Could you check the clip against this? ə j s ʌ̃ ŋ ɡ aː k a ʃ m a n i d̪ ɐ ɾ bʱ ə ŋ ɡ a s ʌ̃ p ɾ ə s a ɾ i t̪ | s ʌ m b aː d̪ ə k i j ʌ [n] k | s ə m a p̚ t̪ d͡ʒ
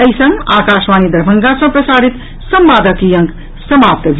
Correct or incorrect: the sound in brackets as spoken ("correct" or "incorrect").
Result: incorrect